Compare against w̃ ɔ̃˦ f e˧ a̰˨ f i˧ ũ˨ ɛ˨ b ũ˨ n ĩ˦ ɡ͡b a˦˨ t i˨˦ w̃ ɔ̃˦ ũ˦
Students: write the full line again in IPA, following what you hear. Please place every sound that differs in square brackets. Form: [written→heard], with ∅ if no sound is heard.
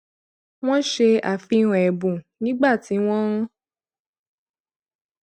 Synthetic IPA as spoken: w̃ ɔ̃˦ [f→ʃ] e˧ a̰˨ f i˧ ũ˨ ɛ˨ b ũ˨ n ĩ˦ ɡ͡b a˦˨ t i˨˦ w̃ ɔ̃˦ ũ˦